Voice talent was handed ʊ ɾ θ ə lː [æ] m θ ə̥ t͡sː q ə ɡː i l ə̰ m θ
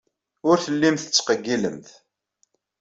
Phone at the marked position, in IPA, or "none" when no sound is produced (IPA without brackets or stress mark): i